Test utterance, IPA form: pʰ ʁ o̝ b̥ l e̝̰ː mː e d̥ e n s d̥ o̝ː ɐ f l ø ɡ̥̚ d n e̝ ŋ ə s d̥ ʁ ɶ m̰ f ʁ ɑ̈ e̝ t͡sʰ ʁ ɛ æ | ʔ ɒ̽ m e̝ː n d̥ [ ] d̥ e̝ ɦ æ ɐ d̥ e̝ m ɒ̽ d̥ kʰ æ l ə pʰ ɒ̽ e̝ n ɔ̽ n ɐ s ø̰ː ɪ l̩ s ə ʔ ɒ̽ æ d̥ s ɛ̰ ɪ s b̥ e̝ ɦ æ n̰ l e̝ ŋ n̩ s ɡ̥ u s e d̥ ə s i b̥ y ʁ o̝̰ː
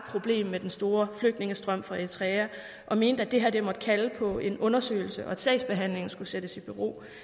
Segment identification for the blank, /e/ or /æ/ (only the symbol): æ